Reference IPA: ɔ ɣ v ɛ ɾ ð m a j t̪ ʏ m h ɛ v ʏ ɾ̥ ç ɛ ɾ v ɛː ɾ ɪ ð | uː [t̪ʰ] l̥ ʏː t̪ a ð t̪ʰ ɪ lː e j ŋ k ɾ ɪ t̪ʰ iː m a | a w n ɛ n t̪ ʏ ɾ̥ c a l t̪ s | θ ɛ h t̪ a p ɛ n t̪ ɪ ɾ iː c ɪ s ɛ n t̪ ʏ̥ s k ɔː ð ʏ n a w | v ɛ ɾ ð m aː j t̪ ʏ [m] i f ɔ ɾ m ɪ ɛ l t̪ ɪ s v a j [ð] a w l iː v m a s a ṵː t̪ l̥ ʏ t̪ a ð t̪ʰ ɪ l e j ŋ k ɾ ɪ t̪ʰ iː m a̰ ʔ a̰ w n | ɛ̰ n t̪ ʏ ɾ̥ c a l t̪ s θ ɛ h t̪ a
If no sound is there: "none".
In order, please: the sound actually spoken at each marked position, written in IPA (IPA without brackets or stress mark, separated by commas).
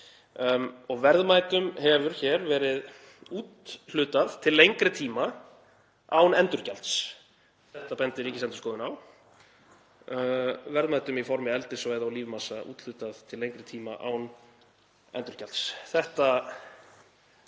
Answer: t̪, m, ð